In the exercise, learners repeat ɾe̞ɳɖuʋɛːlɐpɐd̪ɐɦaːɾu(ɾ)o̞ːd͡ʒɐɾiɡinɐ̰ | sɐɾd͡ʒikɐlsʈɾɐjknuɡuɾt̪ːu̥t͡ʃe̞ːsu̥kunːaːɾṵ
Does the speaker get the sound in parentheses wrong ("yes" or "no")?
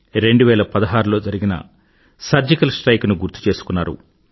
yes